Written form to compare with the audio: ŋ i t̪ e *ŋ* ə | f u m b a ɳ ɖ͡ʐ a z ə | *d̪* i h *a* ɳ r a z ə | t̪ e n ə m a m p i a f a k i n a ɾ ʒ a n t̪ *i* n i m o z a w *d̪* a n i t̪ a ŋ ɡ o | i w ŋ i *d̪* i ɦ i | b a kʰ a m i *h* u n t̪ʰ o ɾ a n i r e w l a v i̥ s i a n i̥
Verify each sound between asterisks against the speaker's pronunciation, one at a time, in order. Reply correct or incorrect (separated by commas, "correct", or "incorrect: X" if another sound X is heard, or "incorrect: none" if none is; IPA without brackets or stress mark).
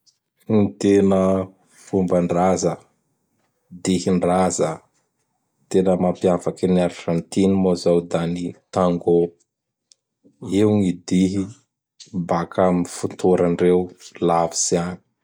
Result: incorrect: n, correct, incorrect: i, correct, correct, correct, incorrect: f